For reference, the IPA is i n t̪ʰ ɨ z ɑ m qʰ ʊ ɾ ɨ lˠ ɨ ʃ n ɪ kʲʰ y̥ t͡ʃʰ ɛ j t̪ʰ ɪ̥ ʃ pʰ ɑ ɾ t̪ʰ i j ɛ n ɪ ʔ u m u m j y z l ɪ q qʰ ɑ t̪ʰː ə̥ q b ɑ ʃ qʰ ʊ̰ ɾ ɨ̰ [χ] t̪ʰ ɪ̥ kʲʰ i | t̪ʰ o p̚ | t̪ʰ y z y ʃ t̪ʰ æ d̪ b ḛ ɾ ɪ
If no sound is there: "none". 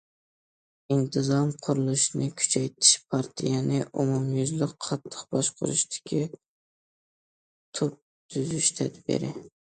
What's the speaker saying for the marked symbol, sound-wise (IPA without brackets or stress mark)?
ʃ